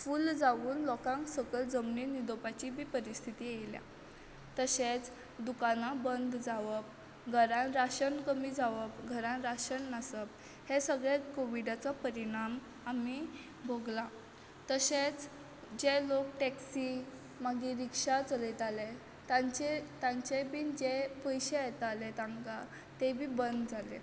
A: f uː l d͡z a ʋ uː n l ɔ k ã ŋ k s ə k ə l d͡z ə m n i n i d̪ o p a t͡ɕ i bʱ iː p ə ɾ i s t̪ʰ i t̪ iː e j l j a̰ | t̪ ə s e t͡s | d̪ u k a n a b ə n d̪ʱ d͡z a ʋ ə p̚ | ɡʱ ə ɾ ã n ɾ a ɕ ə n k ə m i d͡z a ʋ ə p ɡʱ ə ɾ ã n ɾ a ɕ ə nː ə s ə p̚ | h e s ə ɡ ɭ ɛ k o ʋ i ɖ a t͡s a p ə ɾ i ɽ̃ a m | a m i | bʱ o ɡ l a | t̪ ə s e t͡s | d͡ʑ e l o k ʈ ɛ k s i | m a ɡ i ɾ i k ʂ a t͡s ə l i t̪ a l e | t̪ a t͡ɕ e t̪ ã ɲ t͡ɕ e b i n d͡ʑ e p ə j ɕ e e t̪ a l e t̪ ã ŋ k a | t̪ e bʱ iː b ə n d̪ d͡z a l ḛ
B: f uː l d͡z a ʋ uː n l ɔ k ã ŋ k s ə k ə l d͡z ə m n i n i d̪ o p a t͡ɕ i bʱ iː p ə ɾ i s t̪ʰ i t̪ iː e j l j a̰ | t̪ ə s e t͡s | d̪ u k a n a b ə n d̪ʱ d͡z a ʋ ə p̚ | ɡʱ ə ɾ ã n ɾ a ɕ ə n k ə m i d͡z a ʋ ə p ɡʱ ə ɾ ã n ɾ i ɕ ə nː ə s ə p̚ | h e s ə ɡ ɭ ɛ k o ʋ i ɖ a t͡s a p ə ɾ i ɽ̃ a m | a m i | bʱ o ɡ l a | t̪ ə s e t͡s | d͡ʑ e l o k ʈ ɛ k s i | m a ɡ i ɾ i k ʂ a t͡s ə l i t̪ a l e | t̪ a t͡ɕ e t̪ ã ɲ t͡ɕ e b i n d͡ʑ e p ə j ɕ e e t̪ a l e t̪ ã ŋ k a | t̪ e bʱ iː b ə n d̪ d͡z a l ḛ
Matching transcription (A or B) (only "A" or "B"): A